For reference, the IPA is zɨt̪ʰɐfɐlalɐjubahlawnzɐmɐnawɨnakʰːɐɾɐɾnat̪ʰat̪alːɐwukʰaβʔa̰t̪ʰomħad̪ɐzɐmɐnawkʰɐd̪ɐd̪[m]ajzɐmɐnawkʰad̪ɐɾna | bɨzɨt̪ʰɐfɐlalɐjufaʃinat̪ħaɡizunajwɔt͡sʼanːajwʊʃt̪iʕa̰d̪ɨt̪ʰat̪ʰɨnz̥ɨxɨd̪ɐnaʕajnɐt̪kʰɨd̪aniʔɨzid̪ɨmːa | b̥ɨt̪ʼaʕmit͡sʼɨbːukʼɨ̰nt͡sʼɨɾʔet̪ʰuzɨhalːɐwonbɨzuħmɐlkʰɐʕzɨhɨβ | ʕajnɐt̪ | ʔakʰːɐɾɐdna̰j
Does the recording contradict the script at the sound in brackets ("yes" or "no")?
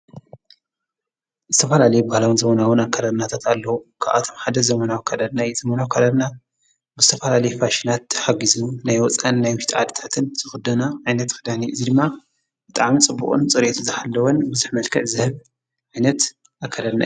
yes